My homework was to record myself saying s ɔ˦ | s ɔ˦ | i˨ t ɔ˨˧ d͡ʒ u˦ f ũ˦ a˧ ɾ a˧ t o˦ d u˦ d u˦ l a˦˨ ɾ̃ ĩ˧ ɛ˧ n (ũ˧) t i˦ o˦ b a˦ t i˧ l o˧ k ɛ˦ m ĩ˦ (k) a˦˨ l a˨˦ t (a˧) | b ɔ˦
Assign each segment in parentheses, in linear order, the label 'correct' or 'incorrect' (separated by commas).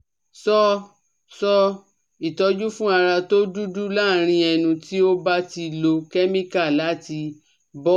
correct, correct, incorrect